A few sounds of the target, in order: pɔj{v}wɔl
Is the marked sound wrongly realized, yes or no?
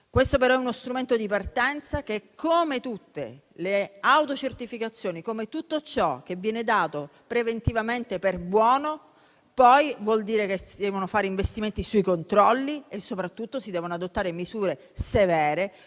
no